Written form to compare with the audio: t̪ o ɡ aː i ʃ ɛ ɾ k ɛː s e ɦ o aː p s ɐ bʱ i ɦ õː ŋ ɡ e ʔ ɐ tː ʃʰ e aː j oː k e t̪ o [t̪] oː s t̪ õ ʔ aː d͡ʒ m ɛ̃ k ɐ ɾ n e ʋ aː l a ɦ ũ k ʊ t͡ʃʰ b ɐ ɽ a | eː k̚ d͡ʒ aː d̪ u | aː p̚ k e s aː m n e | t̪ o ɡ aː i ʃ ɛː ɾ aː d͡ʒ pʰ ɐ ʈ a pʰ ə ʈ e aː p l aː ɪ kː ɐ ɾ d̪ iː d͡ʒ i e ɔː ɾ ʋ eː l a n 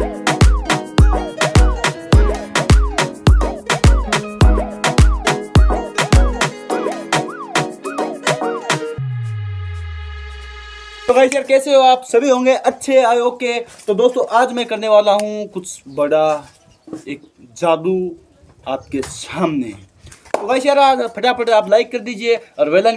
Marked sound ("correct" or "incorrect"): incorrect